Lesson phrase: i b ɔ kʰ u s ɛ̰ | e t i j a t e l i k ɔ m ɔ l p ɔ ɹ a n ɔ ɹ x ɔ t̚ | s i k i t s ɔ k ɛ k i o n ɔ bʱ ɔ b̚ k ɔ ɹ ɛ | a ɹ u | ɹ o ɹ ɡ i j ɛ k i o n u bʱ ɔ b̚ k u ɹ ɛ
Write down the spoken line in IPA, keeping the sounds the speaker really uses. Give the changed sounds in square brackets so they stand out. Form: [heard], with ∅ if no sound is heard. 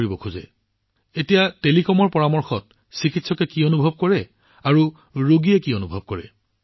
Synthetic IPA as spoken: i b ɔ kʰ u [z] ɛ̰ | e t i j a t e l i k ɔ m ɔ [ɹ] p ɔ ɹ a [m] ɔ ɹ x ɔ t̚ | s i k i t s ɔ k ɛ k i o n [u] bʱ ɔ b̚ k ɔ ɹ ɛ | a ɹ u | ɹ o [∅] ɡ i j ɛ k i o n u bʱ ɔ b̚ k [ɔ] ɹ ɛ